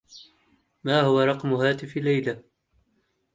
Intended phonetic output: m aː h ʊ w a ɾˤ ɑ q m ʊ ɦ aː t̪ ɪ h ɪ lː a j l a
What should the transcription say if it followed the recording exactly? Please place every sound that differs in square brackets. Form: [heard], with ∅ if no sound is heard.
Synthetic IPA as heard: m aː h ʊ w a ɾˤ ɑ q m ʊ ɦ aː t̪ ɪ [f] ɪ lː a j l a